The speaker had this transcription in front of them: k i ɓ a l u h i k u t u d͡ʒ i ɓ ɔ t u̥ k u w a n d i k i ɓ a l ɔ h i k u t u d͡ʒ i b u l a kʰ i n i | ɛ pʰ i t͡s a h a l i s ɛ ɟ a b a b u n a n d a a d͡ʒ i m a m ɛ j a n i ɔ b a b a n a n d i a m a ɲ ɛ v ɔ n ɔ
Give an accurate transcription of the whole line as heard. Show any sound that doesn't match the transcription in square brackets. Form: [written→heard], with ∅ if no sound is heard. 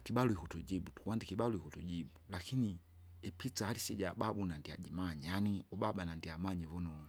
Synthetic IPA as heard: k i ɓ a l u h i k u t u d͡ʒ i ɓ [ɔ→u] t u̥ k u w a n d i k i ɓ a l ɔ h i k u t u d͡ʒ i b u l a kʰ i n i | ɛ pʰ i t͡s a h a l i s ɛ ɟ a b a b u n a n d [a→i] a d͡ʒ i m a [m→ɲ] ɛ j a n i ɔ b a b a n a n d i a m a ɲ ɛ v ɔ n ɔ